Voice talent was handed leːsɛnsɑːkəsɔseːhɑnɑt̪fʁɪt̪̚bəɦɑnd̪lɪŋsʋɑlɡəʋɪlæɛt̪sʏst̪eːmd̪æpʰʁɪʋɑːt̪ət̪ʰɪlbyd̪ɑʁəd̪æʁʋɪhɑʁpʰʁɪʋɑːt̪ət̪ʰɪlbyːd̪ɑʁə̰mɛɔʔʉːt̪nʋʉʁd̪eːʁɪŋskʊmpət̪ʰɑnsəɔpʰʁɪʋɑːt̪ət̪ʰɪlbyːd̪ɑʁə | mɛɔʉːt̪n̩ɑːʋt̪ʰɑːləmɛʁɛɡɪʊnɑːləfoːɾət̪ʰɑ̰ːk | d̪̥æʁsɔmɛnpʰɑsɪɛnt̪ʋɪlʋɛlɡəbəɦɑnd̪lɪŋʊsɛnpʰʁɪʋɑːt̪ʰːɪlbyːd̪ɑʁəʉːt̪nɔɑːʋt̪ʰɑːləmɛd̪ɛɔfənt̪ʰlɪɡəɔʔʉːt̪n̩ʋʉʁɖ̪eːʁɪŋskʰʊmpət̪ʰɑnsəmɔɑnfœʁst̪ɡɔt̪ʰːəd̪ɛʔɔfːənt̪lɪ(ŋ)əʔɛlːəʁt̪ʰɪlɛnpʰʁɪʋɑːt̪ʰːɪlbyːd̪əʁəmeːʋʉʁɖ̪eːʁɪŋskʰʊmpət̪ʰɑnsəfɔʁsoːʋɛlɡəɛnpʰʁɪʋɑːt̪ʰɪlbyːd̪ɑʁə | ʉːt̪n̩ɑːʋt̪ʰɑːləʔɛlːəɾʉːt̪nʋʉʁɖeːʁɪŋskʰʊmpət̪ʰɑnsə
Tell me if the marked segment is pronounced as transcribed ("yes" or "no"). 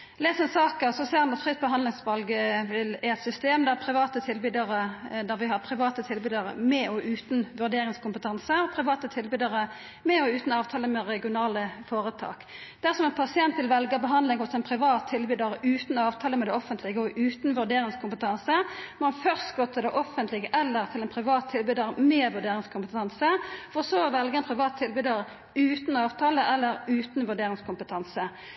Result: no